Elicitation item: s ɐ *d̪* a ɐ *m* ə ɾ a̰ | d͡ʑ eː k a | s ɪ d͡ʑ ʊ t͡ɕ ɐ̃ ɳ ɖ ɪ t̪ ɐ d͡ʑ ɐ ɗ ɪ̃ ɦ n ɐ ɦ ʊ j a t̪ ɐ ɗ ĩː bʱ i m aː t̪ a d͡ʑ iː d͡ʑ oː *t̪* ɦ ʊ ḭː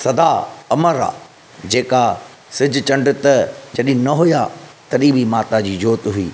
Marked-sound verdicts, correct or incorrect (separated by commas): correct, correct, correct